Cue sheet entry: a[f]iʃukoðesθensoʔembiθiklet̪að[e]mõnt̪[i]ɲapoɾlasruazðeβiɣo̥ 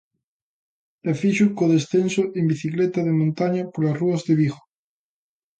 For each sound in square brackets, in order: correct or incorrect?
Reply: correct, correct, incorrect: a

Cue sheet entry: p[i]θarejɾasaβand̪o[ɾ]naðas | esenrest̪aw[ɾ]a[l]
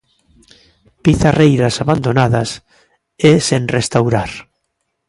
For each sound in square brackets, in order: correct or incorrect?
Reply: correct, incorrect: none, correct, incorrect: ɾ

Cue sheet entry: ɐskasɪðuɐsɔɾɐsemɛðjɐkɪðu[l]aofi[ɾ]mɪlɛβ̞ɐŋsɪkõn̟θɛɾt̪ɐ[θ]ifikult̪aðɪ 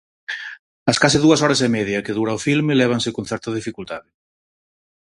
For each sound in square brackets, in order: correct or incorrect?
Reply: incorrect: ɾ, incorrect: l, incorrect: ð

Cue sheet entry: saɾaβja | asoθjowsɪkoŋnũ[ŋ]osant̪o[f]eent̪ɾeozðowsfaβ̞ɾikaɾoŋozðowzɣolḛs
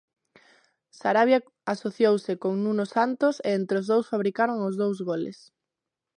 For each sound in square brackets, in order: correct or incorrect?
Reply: incorrect: n, incorrect: s

